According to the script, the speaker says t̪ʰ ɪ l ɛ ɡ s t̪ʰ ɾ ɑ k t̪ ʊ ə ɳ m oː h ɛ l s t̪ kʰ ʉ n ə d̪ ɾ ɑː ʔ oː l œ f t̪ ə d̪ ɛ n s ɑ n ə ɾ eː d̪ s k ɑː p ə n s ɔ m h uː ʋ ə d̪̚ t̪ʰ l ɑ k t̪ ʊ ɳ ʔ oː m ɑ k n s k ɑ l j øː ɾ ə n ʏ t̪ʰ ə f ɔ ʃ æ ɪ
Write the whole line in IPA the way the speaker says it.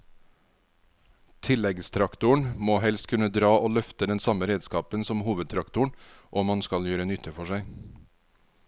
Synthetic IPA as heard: t̪ʰ ɪ l ɛ ɡ s t̪ʰ ɾ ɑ k t̪ ʊ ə ɳ m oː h ɛ l s t̪ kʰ ʉ n ə d̪ ɾ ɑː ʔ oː l œ f t̪ ə d̪ ɛ n s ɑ m ə ɾ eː d̪ s k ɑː p ə n s ɔ m h uː ʋ ə d̪̚ t̪ʰ ɾ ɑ k t̪ ʊ ɳ ʔ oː m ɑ n s k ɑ l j øː ɾ ə n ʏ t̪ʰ ə f ɔ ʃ æ ɪ